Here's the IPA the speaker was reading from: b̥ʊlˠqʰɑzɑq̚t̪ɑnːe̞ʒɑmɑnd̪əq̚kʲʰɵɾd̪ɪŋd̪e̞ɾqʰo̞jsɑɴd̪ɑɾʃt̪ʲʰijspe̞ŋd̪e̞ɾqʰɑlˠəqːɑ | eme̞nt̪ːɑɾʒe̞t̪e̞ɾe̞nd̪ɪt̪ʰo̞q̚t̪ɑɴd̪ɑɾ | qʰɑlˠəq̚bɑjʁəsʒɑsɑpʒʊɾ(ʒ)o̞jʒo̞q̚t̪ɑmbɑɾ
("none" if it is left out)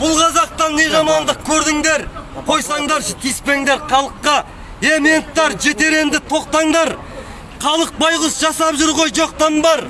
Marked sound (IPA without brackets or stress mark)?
ʁ